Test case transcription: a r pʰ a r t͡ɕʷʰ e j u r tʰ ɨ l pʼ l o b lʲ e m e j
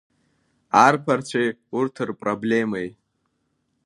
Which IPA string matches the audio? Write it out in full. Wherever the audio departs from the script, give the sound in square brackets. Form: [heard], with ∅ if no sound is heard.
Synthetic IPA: a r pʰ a r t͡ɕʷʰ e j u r tʰ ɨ [r] pʼ [r] o b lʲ e m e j